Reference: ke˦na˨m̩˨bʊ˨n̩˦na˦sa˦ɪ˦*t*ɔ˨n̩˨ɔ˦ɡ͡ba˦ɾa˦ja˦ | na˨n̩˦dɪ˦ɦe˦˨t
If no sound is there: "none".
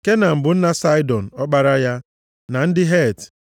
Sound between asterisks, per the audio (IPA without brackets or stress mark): d